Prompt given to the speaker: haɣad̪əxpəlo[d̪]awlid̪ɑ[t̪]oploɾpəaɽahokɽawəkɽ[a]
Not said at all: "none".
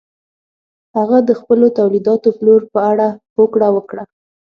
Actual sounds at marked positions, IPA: t̪, t̪, a

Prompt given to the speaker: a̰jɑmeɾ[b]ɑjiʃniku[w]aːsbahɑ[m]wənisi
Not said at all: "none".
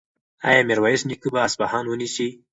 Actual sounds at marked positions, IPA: w, b, n

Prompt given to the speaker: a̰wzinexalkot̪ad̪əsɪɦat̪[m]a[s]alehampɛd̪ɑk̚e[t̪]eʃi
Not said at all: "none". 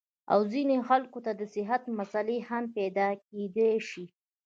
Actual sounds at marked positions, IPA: m, s, d̪

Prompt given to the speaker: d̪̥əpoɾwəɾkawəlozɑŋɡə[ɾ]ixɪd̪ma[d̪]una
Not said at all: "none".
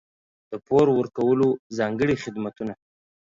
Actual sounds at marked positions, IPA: ɽ, t̪

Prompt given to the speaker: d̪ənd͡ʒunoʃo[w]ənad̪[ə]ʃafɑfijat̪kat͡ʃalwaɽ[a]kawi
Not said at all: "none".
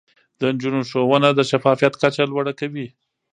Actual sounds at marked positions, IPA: w, ə, a

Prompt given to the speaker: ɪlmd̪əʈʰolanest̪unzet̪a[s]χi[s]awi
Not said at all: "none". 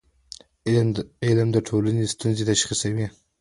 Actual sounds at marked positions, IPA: ʃ, s

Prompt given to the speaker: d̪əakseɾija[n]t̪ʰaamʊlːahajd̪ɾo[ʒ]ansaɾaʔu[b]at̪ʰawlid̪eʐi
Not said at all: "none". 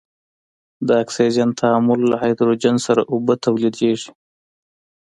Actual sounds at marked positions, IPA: n, d͡ʒ, b

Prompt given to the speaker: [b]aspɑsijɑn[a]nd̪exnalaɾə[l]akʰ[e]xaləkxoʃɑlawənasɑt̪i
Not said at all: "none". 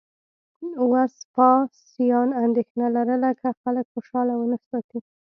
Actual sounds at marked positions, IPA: w, a, l, a

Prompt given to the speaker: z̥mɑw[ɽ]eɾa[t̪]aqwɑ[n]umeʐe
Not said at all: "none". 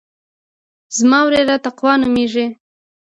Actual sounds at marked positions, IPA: ɾ, t̪, n

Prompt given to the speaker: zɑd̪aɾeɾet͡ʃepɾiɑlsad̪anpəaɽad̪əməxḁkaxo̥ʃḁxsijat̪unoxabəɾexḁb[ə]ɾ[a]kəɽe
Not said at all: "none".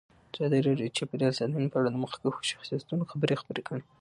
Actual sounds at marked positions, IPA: ə, e

